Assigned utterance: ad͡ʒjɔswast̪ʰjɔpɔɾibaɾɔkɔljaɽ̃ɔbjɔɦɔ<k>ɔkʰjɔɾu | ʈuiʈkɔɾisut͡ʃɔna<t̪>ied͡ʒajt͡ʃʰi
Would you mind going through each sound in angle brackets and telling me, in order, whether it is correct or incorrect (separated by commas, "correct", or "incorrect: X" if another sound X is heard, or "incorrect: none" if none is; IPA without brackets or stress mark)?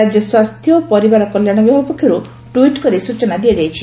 incorrect: p, incorrect: d̪